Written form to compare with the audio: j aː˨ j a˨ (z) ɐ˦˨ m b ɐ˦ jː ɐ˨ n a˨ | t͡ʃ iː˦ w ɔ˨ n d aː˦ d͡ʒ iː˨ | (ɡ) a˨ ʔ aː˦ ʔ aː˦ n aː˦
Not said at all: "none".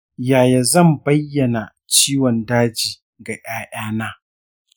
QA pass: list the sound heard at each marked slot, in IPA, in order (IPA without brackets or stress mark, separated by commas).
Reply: z, ɡ